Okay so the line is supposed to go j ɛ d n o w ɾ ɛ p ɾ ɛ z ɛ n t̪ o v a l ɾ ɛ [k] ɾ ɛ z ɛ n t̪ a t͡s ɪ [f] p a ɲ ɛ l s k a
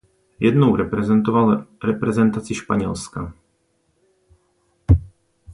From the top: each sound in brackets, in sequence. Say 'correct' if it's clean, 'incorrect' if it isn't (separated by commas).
incorrect, incorrect